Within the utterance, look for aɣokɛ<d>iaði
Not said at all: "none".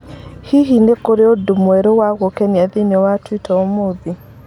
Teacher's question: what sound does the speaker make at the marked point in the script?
n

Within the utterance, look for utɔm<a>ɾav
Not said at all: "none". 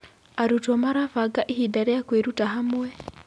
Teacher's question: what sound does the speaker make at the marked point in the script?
a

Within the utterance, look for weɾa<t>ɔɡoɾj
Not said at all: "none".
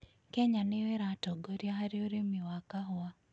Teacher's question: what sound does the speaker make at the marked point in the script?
t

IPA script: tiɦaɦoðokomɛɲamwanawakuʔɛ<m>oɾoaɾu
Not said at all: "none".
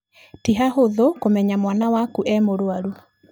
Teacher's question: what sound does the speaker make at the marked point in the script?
m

